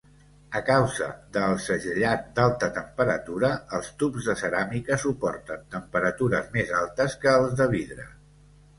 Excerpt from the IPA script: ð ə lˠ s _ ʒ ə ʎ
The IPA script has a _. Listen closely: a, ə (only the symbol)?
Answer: ə